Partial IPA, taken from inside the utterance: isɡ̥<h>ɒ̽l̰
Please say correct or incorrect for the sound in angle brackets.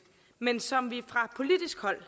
correct